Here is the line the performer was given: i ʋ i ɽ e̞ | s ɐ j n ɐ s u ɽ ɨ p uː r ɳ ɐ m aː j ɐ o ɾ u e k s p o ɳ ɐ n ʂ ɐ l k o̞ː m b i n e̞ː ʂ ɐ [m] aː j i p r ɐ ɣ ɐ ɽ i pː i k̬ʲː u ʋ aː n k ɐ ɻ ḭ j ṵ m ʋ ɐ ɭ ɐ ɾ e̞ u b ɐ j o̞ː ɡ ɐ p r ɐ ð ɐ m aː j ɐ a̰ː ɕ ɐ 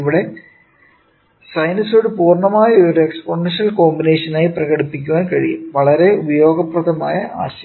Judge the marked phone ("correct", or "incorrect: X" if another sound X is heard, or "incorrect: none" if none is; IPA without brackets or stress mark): incorrect: n